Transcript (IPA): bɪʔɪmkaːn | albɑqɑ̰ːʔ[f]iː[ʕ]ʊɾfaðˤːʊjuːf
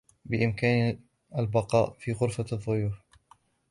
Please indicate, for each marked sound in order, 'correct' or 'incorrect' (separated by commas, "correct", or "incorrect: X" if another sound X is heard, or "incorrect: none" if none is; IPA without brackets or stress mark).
correct, incorrect: ɣ